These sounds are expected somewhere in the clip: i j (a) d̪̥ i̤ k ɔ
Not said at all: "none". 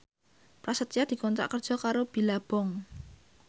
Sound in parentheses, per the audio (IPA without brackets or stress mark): a